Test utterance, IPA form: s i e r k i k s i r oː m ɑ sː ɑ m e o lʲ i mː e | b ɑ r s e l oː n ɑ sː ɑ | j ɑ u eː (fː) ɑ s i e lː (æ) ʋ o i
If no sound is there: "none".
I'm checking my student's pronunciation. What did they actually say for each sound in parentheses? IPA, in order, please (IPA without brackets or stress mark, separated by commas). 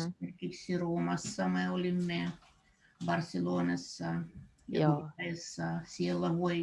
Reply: sː, æ